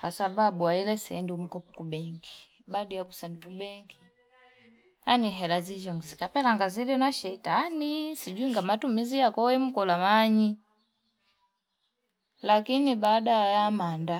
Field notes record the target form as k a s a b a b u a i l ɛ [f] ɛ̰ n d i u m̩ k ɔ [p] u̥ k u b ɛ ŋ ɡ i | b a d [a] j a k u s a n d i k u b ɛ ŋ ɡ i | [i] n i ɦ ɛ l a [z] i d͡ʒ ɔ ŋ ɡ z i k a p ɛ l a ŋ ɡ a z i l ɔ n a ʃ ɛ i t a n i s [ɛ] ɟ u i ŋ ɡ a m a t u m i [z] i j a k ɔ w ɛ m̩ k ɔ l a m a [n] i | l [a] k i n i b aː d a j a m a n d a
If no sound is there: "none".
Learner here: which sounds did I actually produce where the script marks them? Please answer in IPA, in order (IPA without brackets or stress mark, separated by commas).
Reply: s, p, i, a, z, i, z, ɲ, a